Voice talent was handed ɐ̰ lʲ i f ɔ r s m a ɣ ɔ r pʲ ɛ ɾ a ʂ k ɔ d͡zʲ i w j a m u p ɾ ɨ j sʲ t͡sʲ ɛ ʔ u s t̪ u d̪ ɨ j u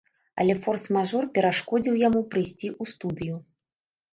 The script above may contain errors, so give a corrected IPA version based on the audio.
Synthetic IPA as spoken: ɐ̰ lʲ ɛ f ɔ r s m a ʐ ɔ r pʲ ɛ ɾ a ʂ k ɔ d͡zʲ i w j a m u p ɾ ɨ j sʲ t͡sʲ i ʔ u s t̪ u d̪ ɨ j u